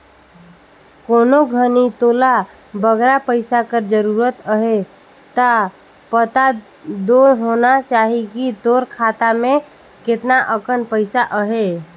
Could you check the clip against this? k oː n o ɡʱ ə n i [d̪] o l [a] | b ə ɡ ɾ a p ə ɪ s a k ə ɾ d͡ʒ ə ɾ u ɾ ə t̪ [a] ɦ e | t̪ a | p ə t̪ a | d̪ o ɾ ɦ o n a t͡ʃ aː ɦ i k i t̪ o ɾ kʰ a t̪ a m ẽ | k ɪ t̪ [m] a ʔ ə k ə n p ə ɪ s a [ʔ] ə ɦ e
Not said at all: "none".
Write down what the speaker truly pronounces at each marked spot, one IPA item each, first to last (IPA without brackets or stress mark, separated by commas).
t̪, a, ə, n, ʔ